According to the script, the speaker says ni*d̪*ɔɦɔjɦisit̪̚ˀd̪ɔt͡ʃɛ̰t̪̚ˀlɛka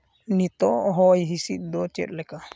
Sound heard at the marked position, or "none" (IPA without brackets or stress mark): t̪